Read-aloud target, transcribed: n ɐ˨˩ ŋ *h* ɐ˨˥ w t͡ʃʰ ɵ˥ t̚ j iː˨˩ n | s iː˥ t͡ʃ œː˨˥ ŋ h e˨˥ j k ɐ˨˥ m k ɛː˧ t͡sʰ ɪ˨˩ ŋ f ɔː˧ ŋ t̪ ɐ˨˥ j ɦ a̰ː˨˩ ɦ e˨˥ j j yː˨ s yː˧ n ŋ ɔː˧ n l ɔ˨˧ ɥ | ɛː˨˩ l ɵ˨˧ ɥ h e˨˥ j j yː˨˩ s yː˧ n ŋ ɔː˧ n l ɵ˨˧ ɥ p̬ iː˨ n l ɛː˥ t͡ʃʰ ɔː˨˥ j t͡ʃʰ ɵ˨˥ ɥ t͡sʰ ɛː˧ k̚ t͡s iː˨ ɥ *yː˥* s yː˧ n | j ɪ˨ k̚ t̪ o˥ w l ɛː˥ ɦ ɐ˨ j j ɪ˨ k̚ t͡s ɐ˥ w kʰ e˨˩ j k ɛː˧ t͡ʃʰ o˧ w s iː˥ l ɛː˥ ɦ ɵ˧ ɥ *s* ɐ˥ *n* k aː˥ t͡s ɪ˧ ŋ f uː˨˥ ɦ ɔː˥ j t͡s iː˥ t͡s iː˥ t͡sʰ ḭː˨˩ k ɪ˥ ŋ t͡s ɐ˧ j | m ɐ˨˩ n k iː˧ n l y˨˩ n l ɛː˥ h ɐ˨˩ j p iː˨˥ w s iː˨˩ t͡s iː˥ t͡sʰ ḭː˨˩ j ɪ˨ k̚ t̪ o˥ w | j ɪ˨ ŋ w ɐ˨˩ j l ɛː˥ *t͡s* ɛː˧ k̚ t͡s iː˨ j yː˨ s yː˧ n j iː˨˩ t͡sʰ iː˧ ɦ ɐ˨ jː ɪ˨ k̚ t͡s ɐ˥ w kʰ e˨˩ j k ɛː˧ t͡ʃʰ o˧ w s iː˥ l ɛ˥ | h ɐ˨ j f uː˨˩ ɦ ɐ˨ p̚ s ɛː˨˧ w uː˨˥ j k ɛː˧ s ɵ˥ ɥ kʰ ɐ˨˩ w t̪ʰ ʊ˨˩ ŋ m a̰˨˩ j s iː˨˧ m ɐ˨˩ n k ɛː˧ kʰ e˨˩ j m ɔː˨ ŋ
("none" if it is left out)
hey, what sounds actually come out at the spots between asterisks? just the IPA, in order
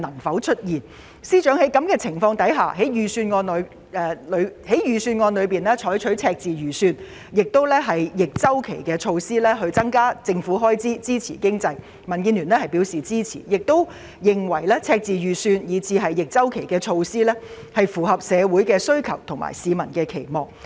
f, yː˨˩, t͡s, ŋ, t͡sʰ

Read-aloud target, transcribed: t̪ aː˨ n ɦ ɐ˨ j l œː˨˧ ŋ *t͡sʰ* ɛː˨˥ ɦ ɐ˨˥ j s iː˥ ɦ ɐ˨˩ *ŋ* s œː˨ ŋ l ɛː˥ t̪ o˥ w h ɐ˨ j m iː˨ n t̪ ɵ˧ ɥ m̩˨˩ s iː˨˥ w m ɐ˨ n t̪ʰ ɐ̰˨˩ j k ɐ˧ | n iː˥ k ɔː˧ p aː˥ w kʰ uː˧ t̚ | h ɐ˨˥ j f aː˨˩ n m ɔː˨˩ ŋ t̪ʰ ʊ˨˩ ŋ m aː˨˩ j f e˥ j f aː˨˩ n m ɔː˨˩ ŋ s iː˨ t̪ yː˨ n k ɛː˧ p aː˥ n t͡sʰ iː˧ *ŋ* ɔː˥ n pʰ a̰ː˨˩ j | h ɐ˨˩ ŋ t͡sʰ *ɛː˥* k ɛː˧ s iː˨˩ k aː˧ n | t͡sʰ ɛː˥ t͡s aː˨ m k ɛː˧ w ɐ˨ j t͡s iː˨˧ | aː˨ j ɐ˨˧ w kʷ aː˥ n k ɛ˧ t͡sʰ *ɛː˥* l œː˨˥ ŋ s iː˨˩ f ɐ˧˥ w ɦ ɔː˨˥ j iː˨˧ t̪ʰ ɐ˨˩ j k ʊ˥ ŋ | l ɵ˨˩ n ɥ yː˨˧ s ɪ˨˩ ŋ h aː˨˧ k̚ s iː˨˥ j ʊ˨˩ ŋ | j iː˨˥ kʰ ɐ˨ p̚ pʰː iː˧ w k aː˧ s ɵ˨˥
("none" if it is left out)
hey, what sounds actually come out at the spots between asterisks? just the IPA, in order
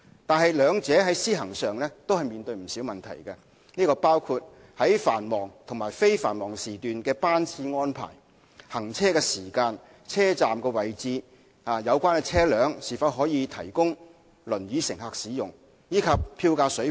t͡s, ŋ, ŋ, ɛː˥, ɛː˥

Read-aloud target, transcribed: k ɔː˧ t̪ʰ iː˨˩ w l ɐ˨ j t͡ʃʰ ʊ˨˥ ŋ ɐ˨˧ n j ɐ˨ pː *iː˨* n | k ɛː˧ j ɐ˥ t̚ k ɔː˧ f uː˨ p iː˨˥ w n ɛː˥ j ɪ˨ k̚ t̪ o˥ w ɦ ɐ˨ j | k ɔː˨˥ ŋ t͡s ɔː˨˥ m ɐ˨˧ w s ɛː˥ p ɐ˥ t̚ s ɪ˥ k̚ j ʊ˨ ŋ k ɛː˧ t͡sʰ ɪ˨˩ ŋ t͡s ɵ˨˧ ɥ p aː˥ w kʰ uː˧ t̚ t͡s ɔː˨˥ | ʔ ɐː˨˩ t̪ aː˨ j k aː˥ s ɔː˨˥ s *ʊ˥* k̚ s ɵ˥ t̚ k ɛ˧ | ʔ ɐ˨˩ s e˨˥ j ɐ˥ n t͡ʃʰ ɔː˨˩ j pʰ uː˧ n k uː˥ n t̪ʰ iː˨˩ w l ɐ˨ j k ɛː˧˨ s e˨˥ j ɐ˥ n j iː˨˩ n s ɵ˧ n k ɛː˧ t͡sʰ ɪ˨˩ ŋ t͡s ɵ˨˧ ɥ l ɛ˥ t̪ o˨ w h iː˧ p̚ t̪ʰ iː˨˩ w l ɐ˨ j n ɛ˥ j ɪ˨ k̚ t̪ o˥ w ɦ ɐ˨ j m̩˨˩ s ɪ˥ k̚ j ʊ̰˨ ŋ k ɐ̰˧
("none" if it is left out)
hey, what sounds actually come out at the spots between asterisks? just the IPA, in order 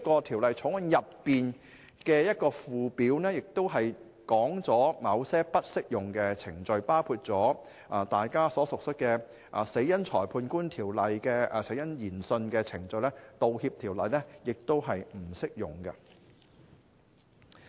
iː˨, ʊ˨

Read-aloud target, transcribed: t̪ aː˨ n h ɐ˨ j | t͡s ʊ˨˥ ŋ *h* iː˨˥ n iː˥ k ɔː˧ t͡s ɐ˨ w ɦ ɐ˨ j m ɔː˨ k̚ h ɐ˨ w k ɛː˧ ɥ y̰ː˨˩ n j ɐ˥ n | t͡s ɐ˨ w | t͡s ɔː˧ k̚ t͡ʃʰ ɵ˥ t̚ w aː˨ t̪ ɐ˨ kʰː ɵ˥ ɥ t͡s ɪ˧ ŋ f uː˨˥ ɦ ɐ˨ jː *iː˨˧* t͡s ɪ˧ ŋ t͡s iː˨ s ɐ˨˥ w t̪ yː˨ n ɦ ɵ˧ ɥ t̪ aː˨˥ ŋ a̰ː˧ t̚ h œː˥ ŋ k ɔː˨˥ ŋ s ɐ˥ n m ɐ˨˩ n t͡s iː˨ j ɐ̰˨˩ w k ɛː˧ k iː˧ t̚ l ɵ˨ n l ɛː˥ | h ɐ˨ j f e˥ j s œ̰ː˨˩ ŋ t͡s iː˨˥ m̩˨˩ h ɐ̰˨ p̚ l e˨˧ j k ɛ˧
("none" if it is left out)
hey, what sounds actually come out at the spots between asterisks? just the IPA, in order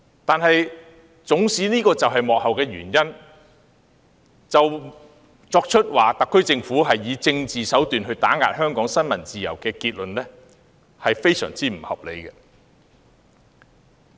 s, iː˨˧

